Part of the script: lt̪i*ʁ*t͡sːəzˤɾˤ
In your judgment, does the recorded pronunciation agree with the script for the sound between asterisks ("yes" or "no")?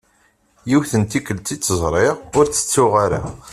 no